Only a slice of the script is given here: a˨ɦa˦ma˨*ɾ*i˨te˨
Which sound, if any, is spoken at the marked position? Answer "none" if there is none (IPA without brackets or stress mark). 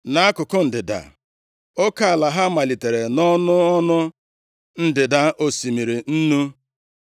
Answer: l